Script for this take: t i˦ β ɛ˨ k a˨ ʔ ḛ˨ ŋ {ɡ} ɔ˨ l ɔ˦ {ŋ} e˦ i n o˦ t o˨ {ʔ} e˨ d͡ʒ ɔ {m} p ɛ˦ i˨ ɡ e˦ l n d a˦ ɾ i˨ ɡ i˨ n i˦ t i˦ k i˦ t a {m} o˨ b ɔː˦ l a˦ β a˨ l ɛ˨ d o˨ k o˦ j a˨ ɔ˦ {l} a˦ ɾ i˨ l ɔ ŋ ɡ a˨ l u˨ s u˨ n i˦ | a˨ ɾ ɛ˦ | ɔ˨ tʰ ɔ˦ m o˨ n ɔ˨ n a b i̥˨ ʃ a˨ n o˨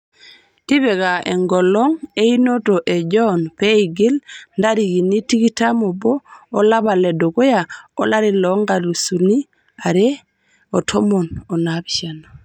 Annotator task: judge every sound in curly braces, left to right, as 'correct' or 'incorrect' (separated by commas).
correct, correct, correct, incorrect, correct, correct